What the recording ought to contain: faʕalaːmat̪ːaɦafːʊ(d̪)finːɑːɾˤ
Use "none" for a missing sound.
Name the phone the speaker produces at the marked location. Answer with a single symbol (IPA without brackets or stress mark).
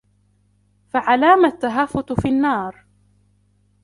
t̪